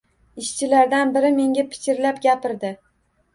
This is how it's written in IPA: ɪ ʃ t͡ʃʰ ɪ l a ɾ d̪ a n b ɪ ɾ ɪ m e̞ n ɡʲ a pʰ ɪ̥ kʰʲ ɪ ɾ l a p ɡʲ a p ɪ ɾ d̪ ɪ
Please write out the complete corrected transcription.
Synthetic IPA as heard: ɪ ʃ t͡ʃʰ ɪ l a ɾ d̪ a n b ɪ ɾ ɪ m e̞ ŋ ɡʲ a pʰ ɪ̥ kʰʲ ɪ ɾ l a p ɡʲ a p ɪ ɾ d̪ ɪ